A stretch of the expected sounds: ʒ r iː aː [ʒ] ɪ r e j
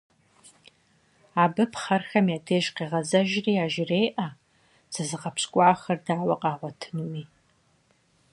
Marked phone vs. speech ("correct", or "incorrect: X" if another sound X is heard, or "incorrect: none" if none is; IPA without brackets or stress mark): correct